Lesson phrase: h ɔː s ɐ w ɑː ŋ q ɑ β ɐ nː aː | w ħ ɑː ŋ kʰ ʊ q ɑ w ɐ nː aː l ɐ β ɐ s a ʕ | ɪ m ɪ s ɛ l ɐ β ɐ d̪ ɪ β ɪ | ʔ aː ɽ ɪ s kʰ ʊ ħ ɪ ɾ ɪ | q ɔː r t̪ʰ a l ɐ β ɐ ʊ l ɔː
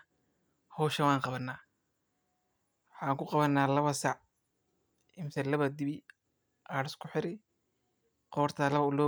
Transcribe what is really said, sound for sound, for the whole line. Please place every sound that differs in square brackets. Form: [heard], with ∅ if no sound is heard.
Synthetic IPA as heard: h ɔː [ʃ] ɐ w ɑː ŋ q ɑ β ɐ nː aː | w ħ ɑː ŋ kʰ ʊ q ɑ [β] ɐ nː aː l ɐ β ɐ s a ʕ | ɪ m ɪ s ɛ l ɐ β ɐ d̪ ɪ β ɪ | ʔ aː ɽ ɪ s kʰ ʊ ħ ɪ ɾ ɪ | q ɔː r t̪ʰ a l ɐ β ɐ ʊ l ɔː